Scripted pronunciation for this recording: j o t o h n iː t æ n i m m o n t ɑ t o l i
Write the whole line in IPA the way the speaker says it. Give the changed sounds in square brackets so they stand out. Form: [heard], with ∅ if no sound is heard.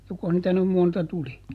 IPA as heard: j o [k] o h n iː t æ n [y] m m o n t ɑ t [u] l i

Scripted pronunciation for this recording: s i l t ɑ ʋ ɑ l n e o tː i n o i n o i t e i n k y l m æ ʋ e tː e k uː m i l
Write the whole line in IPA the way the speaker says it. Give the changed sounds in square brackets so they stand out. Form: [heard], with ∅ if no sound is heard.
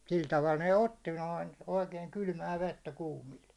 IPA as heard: s i l t ɑ ʋ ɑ l n e o tː i n o i n o i [k] e i [ŋ] k y l m [æː] ʋ e tː [æ] k uː m i l

